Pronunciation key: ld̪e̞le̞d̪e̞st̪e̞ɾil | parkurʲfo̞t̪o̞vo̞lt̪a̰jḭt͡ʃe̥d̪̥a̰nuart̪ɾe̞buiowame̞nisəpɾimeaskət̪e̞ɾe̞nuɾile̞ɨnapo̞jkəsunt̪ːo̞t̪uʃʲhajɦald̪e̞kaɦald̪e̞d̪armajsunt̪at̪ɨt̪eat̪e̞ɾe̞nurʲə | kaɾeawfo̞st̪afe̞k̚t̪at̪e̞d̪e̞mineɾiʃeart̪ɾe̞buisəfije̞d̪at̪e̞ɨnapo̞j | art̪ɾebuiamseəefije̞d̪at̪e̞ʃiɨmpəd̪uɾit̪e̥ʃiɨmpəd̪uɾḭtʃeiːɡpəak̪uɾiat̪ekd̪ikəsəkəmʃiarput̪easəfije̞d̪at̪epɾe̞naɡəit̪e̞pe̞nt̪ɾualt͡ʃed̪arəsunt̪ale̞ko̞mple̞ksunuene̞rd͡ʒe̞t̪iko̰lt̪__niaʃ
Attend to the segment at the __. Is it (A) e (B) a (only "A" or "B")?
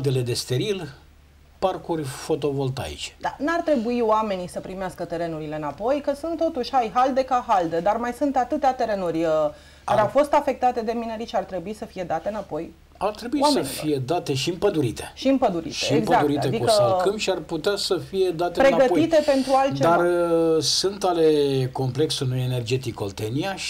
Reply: A